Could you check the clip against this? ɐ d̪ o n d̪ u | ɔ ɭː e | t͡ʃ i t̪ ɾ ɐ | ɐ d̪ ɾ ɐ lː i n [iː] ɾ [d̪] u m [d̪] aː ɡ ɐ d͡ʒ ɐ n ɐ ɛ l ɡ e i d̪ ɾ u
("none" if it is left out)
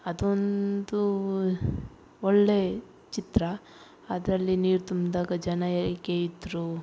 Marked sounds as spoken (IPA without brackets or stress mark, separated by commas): iː, t̪, d̪